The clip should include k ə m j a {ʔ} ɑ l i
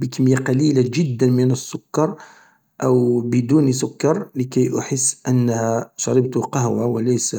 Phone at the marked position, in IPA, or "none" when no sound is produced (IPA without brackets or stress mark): q